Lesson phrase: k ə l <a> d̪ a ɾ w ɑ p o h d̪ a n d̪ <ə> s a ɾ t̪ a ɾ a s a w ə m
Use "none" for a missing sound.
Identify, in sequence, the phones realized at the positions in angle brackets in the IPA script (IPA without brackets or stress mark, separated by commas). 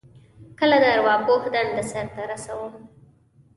a, ə